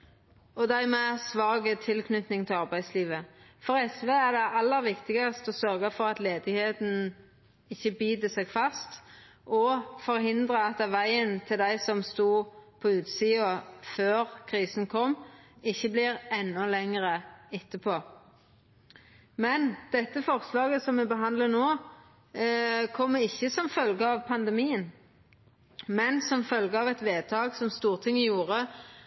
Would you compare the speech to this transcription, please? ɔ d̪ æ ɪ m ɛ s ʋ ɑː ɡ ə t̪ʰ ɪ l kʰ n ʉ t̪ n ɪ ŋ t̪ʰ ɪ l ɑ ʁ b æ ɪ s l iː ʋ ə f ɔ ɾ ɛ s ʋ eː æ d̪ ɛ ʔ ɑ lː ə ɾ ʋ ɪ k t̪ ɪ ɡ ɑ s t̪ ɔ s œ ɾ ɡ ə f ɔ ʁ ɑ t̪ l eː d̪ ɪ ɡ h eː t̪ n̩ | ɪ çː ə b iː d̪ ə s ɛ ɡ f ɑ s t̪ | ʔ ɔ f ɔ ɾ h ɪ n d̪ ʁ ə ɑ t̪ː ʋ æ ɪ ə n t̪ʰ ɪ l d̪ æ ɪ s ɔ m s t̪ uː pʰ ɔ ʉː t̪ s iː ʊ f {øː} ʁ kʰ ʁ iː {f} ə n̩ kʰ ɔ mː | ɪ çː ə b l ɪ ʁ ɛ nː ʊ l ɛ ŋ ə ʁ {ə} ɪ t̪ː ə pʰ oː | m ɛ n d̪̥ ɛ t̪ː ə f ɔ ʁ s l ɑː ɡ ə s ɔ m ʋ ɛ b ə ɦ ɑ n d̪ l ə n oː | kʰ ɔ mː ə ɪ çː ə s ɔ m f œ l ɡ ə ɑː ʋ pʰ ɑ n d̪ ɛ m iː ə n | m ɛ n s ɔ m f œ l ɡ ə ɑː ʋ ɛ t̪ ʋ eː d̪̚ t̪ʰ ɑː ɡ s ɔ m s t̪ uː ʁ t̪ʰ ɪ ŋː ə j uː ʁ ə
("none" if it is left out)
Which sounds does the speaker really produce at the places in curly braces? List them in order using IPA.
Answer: øː, s, ə

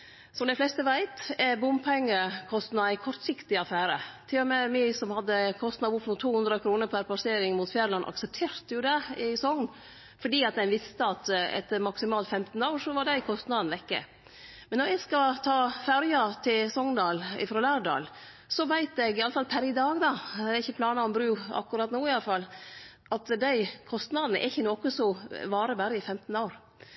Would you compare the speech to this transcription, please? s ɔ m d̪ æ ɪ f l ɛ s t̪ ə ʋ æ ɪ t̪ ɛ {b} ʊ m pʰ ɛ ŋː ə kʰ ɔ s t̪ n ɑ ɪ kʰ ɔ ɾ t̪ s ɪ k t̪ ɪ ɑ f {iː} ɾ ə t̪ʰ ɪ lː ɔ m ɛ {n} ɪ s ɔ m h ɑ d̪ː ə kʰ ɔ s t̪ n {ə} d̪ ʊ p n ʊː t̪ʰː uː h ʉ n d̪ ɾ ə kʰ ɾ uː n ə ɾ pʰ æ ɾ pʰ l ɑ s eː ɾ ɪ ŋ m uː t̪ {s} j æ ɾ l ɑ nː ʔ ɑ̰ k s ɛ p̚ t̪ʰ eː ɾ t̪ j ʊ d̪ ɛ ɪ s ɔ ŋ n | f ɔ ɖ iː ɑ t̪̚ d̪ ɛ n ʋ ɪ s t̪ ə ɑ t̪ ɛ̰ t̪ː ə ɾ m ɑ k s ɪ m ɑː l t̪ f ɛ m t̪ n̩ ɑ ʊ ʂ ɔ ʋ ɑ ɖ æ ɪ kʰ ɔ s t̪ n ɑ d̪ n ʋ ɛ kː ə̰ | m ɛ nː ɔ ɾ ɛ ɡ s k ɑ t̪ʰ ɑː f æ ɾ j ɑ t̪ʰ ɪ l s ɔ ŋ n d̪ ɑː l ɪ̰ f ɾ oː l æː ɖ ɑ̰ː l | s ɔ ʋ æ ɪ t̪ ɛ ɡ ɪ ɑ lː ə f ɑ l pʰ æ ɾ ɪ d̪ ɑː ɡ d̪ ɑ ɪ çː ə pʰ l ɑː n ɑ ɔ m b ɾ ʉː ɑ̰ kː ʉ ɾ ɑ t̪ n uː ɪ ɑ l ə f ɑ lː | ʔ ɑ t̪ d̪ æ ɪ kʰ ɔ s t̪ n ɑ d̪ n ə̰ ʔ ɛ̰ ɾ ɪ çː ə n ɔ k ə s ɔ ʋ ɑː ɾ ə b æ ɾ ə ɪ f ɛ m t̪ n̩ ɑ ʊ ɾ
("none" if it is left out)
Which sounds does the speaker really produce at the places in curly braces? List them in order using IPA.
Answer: b, æː, m, ɑ, f

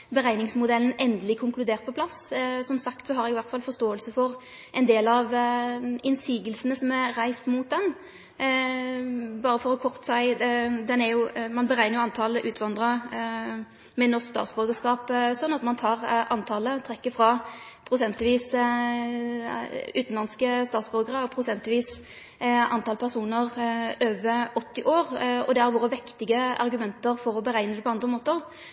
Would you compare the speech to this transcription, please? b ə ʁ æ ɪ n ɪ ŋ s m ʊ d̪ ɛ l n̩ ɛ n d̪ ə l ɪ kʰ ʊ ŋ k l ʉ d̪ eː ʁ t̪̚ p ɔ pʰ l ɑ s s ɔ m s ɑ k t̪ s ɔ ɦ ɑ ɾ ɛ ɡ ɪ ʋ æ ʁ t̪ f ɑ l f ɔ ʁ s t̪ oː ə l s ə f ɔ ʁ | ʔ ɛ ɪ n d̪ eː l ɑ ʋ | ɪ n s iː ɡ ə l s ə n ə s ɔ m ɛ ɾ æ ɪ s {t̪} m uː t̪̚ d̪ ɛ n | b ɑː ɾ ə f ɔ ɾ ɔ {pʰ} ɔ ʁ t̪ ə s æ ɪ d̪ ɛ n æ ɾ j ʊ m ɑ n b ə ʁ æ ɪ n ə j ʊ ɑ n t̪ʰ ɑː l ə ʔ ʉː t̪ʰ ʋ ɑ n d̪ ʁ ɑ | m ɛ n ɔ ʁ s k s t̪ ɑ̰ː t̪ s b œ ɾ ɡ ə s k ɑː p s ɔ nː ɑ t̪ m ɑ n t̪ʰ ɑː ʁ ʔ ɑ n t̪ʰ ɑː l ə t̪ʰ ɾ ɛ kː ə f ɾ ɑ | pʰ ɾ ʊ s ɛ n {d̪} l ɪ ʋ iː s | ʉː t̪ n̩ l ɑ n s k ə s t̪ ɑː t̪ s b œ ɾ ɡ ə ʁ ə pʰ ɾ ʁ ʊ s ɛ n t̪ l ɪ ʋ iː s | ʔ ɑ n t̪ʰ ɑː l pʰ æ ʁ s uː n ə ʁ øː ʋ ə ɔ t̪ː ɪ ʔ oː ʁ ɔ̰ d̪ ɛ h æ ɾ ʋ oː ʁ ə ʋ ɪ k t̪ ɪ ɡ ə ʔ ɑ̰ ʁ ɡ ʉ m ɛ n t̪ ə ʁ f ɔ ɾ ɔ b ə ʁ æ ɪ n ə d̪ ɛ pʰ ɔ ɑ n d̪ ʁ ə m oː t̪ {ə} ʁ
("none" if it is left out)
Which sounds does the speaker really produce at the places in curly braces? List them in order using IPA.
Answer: t̪, kʰ, t̪, ə

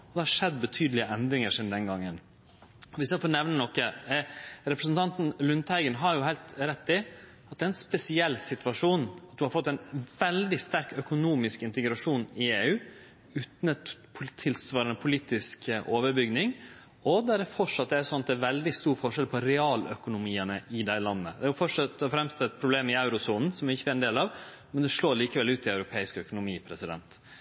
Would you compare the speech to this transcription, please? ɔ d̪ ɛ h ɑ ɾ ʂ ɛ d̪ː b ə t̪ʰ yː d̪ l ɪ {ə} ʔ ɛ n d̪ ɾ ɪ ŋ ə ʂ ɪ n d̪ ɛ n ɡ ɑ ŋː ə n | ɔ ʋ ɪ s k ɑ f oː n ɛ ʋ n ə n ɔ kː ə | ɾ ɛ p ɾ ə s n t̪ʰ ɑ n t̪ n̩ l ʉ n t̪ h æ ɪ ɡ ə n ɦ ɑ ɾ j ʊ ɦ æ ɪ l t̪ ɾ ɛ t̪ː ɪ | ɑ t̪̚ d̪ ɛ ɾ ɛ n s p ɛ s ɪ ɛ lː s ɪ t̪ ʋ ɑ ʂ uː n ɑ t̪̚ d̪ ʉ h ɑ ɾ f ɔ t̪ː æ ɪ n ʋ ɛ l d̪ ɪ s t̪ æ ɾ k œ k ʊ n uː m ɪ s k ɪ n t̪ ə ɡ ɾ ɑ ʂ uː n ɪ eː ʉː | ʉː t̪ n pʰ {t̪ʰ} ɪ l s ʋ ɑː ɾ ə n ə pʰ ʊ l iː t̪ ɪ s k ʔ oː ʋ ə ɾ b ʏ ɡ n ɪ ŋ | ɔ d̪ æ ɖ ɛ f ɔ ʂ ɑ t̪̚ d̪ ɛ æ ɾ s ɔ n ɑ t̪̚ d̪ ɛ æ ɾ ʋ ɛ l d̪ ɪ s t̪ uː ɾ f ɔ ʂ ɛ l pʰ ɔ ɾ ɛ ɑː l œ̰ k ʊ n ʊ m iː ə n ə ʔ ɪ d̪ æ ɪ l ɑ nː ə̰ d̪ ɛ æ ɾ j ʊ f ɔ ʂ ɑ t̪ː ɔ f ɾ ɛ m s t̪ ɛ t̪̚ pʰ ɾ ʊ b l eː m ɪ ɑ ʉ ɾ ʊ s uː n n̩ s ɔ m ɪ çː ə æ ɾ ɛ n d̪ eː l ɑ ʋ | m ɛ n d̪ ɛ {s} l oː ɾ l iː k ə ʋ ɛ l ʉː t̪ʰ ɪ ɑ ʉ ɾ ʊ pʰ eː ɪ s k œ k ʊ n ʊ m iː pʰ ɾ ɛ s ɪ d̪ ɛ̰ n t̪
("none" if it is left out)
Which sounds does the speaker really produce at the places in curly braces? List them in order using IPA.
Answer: ə, t̪ʰ, ʂ

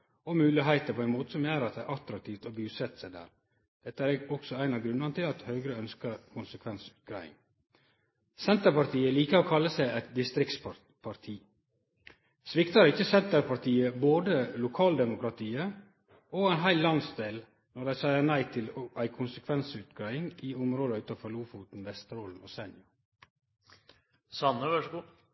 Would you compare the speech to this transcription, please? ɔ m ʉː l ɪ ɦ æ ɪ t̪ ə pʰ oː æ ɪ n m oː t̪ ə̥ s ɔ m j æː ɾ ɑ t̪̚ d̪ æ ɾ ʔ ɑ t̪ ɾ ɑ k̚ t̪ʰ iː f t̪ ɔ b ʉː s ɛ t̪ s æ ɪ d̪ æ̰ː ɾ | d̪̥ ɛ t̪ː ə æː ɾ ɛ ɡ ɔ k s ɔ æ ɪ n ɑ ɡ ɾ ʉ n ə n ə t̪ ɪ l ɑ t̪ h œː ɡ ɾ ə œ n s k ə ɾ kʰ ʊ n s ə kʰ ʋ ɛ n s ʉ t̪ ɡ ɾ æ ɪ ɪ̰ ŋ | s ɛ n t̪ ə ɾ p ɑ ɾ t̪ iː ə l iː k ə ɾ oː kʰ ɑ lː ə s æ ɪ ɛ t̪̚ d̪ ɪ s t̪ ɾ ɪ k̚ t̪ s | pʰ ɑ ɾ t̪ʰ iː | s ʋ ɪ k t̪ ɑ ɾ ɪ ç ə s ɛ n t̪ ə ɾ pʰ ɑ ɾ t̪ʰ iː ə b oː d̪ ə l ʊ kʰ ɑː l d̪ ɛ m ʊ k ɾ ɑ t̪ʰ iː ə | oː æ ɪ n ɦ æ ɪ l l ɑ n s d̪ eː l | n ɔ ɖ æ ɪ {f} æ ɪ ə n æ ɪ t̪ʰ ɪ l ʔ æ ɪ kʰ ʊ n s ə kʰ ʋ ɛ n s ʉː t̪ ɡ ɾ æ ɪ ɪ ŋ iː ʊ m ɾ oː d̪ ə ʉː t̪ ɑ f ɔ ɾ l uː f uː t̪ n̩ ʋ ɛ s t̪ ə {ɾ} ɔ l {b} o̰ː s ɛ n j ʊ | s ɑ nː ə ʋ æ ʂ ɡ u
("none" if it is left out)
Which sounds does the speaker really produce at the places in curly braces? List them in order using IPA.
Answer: s, ɾ, m

